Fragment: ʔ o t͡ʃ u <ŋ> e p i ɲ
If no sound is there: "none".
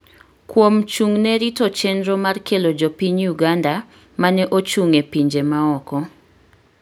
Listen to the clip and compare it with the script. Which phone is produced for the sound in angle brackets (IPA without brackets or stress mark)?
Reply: ŋ